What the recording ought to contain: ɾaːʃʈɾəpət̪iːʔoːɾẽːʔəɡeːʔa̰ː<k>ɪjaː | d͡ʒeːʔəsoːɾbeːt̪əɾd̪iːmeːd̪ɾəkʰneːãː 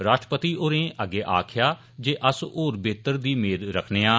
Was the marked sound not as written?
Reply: yes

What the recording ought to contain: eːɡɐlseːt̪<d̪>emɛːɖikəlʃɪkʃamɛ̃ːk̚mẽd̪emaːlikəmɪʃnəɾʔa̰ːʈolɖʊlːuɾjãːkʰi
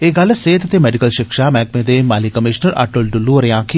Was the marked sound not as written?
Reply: yes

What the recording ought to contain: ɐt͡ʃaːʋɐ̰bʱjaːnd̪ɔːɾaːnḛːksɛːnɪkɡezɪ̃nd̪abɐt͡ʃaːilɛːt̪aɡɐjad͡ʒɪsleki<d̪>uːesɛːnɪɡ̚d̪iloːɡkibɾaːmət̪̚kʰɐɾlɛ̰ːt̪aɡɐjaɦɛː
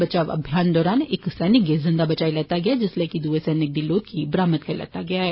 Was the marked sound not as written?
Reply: no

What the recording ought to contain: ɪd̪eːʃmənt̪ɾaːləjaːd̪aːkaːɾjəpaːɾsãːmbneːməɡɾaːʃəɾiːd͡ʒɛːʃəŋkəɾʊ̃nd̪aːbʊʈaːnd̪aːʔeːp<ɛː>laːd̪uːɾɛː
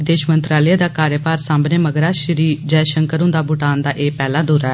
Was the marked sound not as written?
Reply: no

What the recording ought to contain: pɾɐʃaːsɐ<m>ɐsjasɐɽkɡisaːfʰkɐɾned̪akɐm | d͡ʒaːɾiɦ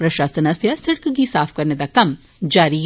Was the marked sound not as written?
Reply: yes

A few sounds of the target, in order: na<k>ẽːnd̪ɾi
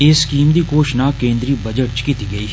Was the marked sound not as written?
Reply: no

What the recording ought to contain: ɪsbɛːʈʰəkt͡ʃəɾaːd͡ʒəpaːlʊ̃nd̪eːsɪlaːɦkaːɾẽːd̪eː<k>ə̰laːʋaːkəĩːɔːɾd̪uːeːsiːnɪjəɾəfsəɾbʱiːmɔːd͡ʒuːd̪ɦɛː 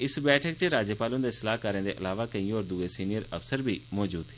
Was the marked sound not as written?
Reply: yes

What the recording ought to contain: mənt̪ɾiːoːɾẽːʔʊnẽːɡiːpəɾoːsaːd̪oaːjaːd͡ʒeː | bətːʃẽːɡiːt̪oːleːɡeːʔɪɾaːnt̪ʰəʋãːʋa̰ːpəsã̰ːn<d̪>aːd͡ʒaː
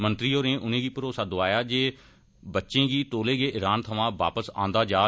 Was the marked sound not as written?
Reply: no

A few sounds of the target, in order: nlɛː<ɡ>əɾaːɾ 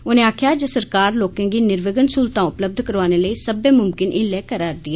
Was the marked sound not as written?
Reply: yes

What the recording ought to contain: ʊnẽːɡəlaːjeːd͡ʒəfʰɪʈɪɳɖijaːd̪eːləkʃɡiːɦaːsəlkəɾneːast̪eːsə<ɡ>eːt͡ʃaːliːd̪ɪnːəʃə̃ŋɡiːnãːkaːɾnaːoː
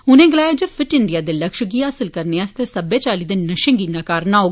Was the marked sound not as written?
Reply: yes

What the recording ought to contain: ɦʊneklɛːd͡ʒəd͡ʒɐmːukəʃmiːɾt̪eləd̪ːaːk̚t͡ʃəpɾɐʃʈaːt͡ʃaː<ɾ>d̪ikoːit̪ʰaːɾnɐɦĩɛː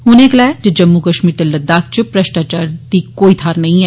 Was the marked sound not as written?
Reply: no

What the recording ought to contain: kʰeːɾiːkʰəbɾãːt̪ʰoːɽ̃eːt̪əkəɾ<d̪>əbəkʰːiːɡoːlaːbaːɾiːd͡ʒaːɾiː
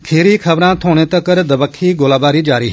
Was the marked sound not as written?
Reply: no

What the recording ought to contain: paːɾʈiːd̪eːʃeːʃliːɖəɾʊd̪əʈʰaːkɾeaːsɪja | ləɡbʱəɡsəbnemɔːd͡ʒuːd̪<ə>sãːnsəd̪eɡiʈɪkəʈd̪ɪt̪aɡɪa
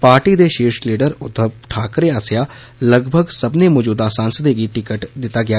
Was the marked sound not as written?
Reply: yes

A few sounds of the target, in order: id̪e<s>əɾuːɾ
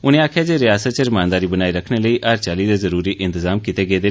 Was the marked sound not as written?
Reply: yes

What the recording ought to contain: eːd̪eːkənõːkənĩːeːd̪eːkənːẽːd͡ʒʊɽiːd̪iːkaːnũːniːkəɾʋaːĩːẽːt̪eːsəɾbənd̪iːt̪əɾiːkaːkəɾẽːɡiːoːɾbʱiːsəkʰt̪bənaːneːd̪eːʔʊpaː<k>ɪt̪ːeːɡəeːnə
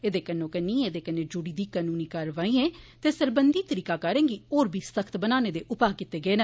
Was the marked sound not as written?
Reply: no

